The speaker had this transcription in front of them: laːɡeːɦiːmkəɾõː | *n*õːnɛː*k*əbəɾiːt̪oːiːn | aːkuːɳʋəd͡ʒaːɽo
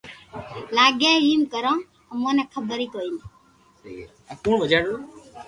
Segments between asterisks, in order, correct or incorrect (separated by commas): incorrect, incorrect